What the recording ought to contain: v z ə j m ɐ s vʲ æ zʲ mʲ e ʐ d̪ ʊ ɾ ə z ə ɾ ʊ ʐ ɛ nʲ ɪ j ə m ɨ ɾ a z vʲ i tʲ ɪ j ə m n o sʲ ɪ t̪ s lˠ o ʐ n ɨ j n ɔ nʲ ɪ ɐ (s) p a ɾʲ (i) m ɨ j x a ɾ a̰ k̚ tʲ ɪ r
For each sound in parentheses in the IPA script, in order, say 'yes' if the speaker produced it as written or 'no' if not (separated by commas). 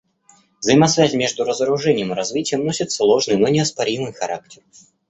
yes, yes